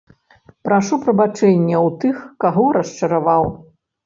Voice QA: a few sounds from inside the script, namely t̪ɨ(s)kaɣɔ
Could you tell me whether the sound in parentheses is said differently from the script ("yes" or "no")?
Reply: yes